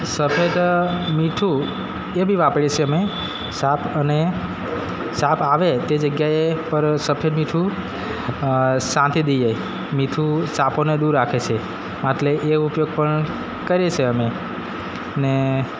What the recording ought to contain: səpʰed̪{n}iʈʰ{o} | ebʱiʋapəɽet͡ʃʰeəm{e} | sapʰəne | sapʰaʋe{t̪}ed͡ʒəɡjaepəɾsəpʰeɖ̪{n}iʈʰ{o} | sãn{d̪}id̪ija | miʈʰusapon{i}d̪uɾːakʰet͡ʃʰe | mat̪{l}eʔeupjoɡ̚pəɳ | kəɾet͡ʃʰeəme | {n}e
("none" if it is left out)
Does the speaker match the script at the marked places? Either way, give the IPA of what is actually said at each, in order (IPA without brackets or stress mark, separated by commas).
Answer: m, u, e, t̪, m, u, t̪, e, l, n